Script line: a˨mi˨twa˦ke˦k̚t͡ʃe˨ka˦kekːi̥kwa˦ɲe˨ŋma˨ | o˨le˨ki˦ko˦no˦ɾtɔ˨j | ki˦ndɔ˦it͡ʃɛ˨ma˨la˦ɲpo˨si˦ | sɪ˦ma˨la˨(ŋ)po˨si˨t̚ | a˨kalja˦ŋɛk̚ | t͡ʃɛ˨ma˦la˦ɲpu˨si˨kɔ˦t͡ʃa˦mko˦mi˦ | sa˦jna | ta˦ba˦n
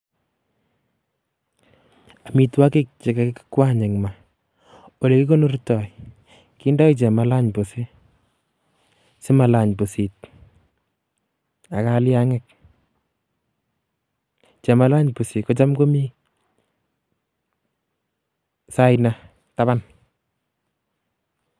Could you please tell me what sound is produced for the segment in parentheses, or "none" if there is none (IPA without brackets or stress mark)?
ɲ